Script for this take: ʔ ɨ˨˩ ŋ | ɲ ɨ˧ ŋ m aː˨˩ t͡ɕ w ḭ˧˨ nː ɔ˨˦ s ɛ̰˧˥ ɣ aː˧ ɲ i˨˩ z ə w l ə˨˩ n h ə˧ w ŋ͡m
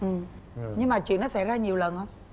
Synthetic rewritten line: ʔ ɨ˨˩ m | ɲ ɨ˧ ŋ m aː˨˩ t͡ɕ w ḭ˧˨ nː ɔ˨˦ s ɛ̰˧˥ z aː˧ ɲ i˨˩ ə w l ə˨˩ n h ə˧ w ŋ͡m